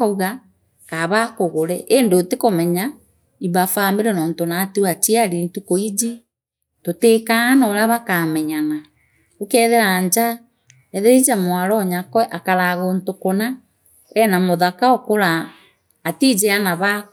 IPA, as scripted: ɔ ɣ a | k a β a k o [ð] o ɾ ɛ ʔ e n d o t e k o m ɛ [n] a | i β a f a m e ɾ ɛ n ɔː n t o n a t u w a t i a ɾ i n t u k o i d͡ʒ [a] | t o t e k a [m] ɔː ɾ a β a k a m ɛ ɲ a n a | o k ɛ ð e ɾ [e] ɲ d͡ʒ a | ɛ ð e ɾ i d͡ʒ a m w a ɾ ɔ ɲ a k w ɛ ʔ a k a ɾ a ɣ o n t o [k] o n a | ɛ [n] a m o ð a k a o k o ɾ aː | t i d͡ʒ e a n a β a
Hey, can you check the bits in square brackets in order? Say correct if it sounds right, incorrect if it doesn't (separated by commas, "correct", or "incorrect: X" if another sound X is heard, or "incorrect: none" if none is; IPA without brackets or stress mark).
incorrect: ɣ, incorrect: ɲ, incorrect: i, incorrect: n, incorrect: a, correct, correct